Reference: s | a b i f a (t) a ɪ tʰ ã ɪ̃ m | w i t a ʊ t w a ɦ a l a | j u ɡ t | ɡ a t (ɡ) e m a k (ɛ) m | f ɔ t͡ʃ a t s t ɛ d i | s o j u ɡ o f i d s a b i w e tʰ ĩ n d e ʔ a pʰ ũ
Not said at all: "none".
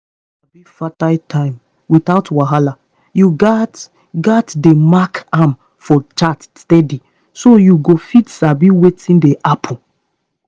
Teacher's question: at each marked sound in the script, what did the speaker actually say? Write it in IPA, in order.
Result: t, d, a

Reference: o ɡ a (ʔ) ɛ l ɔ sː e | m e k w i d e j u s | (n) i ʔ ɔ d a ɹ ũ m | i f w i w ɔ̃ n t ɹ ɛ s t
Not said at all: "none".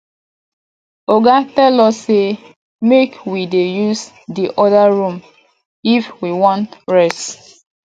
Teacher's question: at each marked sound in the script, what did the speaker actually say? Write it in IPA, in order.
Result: t, d

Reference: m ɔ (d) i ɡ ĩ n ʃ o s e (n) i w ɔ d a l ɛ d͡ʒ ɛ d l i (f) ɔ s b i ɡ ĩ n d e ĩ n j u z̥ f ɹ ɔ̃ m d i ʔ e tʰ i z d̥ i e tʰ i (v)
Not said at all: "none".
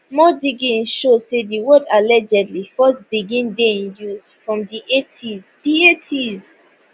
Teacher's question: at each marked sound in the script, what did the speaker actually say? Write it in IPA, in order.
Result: d, d, f, z

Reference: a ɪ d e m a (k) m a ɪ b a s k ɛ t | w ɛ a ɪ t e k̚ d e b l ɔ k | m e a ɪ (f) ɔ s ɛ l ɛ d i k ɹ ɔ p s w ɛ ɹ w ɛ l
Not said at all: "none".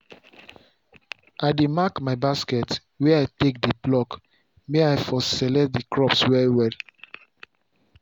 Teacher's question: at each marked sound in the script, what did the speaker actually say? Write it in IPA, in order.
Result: k, f

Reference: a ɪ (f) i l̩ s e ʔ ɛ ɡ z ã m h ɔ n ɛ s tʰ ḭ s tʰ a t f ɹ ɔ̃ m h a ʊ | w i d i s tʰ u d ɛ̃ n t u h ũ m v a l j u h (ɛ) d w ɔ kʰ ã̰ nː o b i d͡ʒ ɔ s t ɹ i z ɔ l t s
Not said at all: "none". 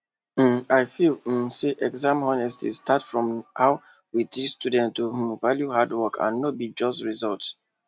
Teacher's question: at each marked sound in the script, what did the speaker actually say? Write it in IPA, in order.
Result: f, a

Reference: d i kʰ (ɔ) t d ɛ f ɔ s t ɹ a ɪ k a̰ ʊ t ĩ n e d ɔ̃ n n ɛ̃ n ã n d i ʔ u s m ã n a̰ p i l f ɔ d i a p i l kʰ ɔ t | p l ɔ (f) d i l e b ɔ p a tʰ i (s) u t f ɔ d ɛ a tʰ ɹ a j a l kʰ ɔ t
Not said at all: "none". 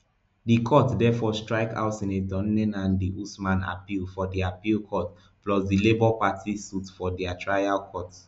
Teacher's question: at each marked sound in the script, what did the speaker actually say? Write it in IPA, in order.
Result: ɔ, s, s

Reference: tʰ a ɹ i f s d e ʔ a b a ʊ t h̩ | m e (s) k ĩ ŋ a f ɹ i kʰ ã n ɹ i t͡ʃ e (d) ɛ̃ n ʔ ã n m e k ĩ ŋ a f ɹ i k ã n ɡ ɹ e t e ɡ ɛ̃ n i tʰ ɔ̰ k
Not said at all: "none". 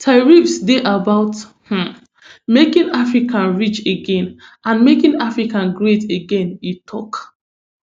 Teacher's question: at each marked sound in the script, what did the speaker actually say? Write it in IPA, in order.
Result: none, ɡ

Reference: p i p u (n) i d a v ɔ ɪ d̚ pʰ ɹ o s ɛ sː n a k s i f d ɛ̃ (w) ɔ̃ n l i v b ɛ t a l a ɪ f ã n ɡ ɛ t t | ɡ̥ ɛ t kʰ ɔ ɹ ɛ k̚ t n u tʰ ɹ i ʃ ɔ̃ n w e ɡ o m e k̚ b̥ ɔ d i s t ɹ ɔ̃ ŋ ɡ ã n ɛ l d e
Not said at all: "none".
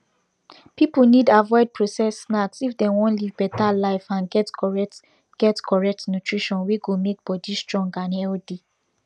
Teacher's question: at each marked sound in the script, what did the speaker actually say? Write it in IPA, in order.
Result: n, w

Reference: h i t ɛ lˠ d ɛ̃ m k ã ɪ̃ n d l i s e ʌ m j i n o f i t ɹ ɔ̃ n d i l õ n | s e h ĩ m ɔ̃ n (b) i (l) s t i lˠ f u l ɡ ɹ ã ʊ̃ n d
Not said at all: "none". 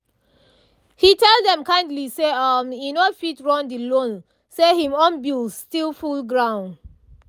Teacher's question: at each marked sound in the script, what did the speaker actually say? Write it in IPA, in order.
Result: b, l

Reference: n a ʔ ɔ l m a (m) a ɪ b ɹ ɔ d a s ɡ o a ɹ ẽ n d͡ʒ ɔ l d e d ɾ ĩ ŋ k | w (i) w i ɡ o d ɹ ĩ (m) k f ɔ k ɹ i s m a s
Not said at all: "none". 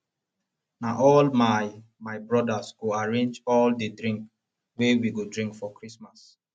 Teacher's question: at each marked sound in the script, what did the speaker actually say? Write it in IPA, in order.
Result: m, e, ŋ

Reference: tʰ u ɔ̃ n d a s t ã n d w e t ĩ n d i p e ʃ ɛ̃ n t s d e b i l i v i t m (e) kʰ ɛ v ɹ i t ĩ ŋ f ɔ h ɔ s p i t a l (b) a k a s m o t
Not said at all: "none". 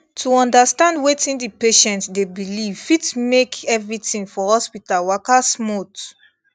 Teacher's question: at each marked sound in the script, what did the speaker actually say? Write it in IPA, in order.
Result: e, w

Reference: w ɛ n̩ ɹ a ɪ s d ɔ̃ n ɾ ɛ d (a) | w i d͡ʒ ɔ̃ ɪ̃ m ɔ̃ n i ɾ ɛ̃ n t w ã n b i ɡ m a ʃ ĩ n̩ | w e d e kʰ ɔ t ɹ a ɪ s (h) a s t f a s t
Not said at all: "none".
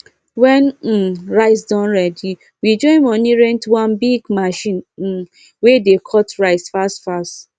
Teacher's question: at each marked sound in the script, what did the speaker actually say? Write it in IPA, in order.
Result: i, f

